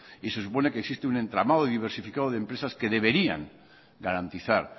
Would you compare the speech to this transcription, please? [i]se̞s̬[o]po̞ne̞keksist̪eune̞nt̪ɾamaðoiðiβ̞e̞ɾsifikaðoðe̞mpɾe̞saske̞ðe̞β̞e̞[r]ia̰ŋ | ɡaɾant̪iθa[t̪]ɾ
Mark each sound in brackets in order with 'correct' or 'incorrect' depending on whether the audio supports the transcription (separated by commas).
correct, incorrect, incorrect, incorrect